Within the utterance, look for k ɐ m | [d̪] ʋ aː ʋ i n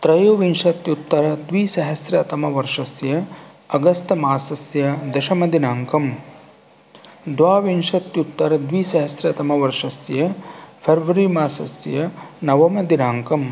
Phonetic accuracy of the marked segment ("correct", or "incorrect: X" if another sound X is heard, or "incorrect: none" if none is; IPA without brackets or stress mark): correct